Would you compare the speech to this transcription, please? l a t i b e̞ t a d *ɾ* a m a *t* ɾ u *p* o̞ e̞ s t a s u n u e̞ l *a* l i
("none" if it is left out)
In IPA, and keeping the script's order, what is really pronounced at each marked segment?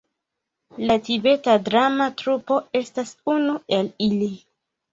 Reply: ɾ, t, p, i

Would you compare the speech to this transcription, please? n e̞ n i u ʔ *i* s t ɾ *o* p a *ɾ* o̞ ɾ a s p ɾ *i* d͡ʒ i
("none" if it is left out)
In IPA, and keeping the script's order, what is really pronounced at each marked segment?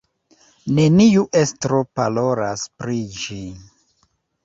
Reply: e, o, l, i

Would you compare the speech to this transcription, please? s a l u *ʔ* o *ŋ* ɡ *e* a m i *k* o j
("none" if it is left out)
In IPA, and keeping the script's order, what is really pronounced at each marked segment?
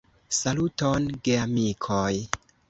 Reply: t, n, e, kʰ

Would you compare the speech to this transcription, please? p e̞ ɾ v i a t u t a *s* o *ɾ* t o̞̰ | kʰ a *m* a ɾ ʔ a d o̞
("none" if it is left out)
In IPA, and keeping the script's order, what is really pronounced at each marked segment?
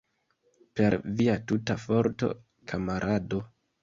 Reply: f, ɾ, m

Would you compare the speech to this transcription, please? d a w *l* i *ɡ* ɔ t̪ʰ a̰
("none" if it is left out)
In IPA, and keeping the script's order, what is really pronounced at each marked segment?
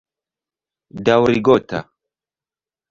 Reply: ɾ, ɡ

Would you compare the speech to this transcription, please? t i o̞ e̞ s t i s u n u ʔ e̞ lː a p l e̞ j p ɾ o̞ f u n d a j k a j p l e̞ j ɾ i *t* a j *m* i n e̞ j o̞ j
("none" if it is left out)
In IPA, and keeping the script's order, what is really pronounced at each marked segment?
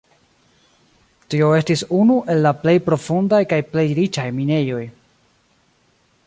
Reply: t͡ʃ, m

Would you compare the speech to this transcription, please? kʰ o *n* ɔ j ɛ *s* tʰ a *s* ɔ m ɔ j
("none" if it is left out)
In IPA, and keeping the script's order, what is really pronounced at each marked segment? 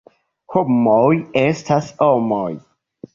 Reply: m, s, s

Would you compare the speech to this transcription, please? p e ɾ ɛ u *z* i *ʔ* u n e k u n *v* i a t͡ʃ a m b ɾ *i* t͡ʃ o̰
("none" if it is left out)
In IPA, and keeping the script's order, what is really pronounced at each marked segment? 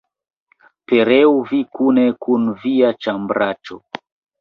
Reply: v, k, v, a

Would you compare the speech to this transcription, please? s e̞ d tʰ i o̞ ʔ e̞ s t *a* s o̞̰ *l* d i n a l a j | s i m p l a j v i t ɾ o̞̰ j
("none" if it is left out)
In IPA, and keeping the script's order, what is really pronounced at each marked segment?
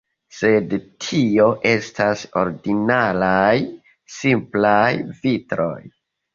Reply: a, ɾ

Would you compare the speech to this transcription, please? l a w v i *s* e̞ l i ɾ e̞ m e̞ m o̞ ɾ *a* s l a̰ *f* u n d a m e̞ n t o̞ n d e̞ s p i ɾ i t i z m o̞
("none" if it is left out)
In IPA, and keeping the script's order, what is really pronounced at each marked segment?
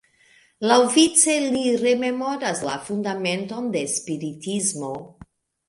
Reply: t͡s, a, f

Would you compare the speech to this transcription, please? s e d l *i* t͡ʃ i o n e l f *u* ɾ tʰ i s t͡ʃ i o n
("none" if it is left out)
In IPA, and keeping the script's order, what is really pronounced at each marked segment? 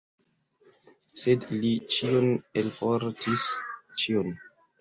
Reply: i, o

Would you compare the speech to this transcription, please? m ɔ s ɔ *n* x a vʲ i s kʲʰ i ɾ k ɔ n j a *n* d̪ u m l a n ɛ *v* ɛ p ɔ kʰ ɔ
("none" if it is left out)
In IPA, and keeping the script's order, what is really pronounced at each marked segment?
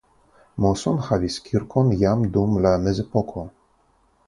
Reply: n, m, z

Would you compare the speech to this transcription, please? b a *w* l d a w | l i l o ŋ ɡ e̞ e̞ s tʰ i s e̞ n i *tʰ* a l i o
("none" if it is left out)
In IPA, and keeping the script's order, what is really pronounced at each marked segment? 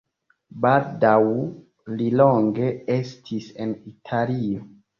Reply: none, tʰ

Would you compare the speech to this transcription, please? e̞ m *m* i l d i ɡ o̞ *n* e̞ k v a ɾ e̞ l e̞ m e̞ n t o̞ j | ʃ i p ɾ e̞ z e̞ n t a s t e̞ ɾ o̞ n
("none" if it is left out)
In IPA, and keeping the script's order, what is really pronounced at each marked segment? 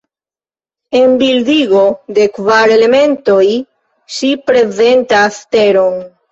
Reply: b, d

